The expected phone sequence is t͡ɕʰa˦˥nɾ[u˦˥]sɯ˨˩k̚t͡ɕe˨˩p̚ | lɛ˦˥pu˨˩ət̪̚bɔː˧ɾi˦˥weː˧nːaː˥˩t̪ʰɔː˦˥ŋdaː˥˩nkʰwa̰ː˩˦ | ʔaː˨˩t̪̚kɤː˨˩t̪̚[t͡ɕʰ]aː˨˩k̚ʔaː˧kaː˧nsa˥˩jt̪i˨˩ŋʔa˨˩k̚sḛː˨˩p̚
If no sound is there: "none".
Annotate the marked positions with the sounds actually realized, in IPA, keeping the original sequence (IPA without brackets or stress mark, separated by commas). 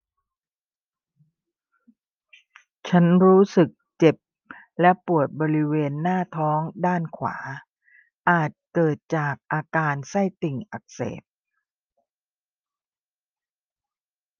uː˦˥, t͡ɕ